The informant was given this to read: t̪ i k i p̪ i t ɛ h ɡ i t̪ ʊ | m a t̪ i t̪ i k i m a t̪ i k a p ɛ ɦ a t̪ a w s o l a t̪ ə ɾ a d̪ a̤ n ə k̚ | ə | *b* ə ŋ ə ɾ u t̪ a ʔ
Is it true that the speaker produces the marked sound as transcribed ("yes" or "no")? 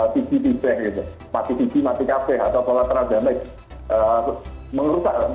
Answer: no